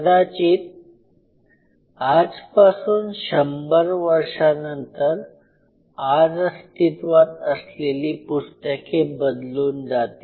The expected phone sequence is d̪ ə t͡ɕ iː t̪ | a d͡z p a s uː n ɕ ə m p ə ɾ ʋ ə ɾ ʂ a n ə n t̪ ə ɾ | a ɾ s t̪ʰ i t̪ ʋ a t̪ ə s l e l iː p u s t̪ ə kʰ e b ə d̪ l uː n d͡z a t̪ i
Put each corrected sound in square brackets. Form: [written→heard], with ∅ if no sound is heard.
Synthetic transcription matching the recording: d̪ [ə→a] t͡ɕ iː t̪ | a d͡z p a s uː n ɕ ə m [p→b] ə ɾ ʋ ə ɾ ʂ a n ə n t̪ ə ɾ | a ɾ s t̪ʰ i t̪ ʋ a t̪ ə s l e l iː p u s t̪ ə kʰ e b ə d̪ l uː n d͡z a t̪ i